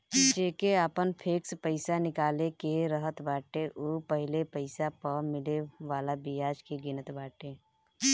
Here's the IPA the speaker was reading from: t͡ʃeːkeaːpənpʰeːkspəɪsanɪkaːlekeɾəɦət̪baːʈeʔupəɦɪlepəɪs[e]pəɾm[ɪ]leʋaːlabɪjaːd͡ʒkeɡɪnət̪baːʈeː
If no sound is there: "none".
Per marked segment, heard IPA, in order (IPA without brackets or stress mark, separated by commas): a, ɪ